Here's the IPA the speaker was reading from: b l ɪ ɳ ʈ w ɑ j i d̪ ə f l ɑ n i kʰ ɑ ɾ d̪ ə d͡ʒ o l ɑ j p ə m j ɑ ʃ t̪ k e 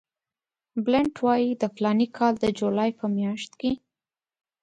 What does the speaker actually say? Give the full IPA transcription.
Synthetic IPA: b l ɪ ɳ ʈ w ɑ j i d̪ ə f l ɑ n i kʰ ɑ l d̪ ə d͡ʒ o l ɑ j p ə m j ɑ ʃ t̪ k e

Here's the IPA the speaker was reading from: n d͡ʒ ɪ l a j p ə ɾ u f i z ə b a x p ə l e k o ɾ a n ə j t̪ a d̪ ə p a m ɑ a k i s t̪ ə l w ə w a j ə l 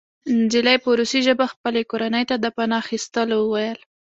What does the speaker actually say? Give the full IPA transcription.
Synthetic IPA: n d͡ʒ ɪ l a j p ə ɾ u s i ʒ ə b a x p ə l e k o ɾ a n ə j t̪ a d̪ ə p a n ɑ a x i s t̪ ə l w ə w a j ə l

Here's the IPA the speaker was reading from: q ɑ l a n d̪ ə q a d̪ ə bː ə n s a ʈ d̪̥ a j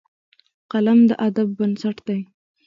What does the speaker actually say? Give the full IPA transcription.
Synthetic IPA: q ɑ l a m d̪ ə ʔ a d̪ a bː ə n s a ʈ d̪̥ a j

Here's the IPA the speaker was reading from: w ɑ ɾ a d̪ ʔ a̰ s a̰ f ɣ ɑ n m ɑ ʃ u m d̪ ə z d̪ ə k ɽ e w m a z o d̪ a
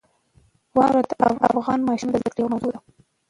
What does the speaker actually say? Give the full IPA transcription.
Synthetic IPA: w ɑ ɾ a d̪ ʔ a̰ f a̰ f ɣ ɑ n m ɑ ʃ u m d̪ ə z d̪ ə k ɽ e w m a z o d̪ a

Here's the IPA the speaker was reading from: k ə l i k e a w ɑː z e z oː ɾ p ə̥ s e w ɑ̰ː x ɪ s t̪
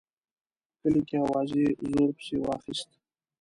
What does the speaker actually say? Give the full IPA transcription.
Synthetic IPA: k ə l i k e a w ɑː z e z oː ɾ p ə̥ s e w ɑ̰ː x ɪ s t̪

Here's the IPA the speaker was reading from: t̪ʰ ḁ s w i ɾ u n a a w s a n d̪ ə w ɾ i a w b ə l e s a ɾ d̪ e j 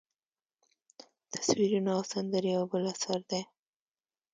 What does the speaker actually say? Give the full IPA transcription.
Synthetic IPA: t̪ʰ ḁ s w i ɾ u n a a w s a n d̪ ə ɾ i a w b ə l a s a ɾ d̪ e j

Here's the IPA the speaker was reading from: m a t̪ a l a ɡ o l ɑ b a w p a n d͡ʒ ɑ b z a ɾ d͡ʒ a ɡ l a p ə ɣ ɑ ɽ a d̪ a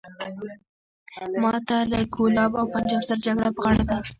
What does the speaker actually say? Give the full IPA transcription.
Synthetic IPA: m ɑ t̪ a l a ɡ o l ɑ b a w p a n d͡ʒ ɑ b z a ɾ d͡ʒ a ɡ ɽ a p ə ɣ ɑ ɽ a d̪ a

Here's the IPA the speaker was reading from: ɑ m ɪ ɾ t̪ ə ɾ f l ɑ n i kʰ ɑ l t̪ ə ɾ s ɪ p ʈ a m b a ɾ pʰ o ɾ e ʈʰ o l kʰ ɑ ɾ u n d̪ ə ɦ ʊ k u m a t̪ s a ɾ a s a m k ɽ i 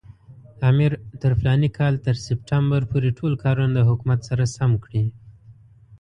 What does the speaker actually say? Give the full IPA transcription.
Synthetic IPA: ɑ m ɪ ɾ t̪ ə ɾ f l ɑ n i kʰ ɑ l t̪ ə ɾ s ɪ p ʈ a m b a ɾ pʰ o ɾ e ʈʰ o l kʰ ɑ ɾ u n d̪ ə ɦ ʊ k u m a t̪ s a ɾ a s a m k ɽ i

